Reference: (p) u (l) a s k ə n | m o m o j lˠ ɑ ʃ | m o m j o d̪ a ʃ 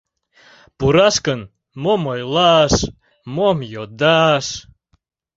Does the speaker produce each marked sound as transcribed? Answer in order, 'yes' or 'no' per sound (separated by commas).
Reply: yes, no